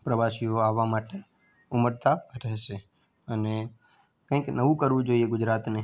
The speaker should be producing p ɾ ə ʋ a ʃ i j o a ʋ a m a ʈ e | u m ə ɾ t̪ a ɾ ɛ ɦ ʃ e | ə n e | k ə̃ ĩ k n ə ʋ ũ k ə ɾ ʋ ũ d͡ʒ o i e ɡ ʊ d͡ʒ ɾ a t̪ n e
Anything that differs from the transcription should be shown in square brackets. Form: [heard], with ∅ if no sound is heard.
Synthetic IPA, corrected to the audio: p ɾ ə ʋ a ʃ i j o a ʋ a m a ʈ e | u m ə ɾ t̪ a ɾ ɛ ɦ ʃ e | ə n e | k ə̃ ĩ k n ə ʋ ũ k ə ɾ ʋ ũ d͡ʒ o i e ɡ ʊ d͡ʒ ɾ a t̪ n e